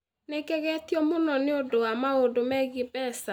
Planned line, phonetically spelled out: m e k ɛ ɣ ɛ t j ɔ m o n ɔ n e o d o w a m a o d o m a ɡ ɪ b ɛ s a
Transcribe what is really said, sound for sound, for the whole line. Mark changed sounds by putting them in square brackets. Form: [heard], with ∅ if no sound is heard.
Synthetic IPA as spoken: [n] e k ɛ ɣ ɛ t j ɔ m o n ɔ n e o d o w a m a o d o m [ɛ] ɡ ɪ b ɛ s a